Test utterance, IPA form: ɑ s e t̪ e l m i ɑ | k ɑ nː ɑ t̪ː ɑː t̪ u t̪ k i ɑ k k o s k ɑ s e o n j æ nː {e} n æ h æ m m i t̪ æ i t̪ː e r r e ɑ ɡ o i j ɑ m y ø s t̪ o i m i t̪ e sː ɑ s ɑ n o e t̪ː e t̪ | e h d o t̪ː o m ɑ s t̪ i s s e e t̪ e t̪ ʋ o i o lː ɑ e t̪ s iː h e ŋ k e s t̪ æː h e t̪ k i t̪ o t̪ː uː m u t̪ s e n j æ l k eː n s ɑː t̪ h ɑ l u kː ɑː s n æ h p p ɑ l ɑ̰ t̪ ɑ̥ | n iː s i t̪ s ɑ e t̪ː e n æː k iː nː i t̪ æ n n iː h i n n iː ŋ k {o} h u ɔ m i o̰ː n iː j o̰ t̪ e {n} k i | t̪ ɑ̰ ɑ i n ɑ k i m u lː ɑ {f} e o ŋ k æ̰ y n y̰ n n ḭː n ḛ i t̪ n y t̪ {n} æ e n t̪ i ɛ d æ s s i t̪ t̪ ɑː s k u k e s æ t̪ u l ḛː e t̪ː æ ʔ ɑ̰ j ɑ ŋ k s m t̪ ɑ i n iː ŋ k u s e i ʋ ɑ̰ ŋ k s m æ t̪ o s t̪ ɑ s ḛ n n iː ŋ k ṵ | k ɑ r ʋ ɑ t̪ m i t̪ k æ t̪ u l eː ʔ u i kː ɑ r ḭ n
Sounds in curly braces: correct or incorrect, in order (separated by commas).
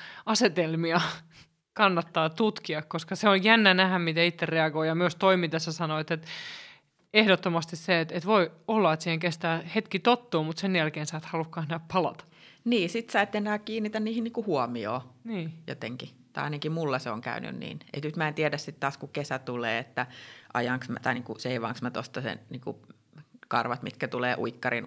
incorrect, incorrect, incorrect, incorrect, incorrect